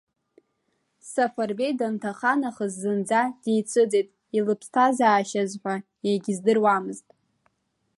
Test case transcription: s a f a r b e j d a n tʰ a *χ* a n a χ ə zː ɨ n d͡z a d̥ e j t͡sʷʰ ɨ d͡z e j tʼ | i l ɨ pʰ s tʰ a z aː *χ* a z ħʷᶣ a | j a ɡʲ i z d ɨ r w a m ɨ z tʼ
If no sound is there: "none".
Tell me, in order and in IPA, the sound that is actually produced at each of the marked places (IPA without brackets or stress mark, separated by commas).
χ, ʃ